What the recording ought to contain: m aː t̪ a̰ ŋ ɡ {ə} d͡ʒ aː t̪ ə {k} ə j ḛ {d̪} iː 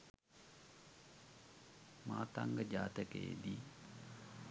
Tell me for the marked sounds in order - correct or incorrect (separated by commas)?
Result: correct, correct, correct